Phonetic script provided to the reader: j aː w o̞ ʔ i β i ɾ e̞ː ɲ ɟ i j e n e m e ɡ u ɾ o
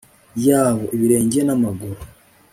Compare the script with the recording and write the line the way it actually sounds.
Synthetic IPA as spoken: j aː β o̞ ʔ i β i ɾ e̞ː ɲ ɟ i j e n a m a ɡ u ɾ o